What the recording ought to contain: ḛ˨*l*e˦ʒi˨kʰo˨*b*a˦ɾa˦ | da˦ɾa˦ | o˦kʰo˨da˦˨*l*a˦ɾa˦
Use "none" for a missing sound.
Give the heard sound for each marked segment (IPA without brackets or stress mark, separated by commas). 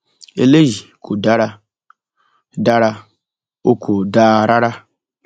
l, d, ɾ